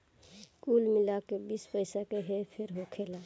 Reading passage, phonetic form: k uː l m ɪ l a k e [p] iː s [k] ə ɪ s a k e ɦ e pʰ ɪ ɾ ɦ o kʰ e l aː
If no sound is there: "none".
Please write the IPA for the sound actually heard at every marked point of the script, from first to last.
b, p

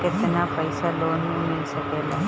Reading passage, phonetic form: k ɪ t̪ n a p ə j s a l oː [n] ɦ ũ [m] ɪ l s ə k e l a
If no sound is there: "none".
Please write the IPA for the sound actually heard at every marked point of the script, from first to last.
n, m

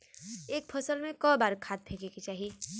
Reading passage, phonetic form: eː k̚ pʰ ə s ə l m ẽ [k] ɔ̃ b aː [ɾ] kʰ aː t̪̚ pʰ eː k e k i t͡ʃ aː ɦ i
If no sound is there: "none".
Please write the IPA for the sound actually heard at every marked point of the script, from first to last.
k, ɾ

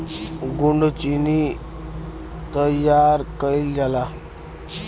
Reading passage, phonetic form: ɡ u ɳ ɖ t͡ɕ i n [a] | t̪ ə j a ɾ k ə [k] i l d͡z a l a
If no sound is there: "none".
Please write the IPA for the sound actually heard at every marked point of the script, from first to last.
i, none

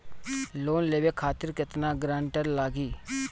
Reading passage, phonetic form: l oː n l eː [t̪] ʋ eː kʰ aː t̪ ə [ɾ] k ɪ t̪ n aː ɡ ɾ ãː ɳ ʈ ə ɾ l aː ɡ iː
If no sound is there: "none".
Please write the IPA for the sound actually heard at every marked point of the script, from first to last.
none, ɾ

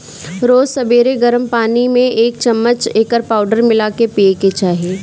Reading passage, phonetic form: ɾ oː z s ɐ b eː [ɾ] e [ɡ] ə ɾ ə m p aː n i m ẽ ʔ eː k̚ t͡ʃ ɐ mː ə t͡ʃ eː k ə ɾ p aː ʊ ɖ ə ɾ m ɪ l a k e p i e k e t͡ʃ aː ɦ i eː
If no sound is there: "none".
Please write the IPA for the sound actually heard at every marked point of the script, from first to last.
ɾ, ɡ

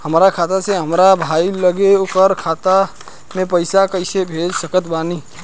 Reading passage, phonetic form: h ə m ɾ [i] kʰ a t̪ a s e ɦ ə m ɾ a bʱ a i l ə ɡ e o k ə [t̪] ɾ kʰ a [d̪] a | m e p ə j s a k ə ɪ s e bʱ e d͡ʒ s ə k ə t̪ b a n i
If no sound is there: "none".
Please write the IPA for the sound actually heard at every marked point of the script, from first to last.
a, none, t̪

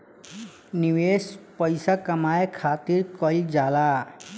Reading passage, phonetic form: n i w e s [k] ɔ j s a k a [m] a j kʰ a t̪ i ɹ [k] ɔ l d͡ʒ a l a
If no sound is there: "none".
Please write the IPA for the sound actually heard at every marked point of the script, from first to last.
p, m, k

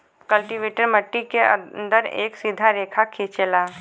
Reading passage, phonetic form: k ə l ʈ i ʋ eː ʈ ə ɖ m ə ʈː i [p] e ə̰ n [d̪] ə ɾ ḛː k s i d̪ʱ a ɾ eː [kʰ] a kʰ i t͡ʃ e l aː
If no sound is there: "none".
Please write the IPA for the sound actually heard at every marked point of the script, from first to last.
k, d̪, kʰ

